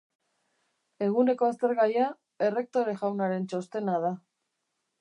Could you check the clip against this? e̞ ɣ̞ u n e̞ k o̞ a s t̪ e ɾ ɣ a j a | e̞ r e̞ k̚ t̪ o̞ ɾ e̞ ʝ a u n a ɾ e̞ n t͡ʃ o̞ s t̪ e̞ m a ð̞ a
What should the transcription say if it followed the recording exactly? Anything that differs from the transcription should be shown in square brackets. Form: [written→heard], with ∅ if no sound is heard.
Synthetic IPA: e̞ ɣ̞ u n e̞ k o̞ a s t̪ e ɾ ɣ a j a | e̞ r e̞ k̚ t̪ o̞ ɾ e̞ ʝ a [u→w] n a ɾ e̞ n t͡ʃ o̞ s t̪ e̞ [m→n] a ð̞ a